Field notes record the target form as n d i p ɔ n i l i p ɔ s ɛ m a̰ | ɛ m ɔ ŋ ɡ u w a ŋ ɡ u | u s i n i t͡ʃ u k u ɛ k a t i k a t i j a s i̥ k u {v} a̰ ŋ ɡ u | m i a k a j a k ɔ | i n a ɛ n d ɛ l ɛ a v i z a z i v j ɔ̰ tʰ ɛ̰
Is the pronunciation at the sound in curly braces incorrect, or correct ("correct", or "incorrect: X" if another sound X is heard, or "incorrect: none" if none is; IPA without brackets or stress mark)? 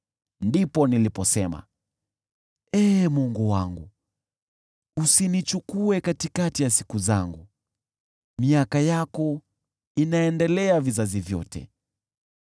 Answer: incorrect: z